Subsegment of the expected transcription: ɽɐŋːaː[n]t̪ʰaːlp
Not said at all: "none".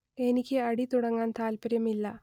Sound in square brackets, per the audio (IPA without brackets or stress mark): n